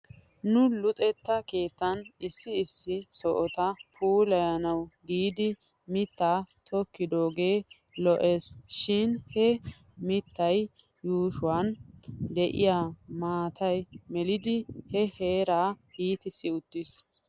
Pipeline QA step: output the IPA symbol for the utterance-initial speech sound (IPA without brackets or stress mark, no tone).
n